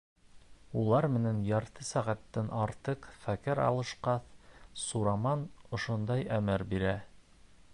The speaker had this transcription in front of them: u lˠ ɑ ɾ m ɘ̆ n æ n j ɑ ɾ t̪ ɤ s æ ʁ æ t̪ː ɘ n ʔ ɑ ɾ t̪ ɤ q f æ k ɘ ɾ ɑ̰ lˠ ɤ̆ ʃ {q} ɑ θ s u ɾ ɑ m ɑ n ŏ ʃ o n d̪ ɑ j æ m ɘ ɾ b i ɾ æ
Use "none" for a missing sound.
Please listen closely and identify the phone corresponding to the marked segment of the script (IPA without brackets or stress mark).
q